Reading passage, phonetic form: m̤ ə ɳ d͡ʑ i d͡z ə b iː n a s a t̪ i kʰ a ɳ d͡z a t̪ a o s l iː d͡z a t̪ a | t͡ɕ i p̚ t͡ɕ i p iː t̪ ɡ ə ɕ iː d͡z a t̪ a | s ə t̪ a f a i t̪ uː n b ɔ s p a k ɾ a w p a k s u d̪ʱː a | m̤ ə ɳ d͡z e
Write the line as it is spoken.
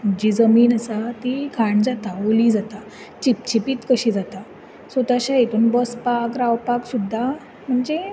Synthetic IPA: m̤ ə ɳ d͡ʑ i d͡z ə m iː n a s a t̪ i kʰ a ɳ d͡z a t̪ a o l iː d͡z a t̪ a | t͡ɕ i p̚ t͡ɕ i p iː t̪ k ə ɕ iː d͡z a t̪ a | s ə t̪ a ɕ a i t̪ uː n b ɔ s p a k ɾ a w p a k s u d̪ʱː a | m̤ ə ɳ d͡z e